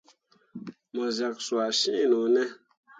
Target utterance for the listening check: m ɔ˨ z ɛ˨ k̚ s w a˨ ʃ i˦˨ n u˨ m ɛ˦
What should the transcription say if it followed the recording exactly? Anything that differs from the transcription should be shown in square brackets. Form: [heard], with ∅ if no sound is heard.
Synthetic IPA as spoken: m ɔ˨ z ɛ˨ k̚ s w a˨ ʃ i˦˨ n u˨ [n] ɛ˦